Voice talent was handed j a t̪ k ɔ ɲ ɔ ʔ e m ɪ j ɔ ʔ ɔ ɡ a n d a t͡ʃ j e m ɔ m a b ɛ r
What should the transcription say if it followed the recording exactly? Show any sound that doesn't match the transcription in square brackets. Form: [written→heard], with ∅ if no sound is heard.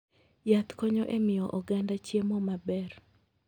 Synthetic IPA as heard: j a t̪ k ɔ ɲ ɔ ʔ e m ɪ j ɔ ʔ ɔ ɡ a n d a t͡ʃ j e m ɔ m a b ɛ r